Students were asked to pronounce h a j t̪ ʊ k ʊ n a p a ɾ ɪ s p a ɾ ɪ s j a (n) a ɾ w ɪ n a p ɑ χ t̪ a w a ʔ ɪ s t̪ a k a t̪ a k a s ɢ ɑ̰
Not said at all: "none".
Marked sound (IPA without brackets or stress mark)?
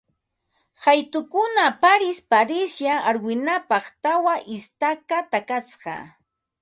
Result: none